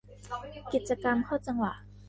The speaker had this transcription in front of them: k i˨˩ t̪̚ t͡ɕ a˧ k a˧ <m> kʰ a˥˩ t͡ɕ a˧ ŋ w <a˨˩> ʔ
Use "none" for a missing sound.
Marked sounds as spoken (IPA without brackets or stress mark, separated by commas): m, a˨˩